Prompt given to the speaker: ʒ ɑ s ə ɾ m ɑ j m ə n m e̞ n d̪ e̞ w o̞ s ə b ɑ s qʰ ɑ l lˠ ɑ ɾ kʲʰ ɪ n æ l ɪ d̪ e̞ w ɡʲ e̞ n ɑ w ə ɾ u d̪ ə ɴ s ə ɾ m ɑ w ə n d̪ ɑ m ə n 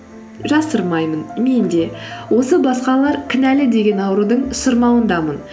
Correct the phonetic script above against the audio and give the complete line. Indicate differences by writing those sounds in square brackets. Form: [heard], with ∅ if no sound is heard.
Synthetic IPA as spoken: ʒ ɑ s ə ɾ m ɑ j m ə n m e̞ n d̪ e̞ w o̞ s ə b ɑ s [q] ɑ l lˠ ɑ ɾ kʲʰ ɪ n æ l ɪ d̪ e̞ [∅] ɡʲ e̞ n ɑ w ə ɾ u d̪ ə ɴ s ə ɾ m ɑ w ə n d̪ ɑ m ə n